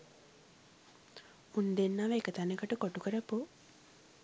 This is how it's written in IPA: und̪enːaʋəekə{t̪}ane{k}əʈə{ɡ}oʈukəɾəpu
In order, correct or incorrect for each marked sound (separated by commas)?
correct, correct, incorrect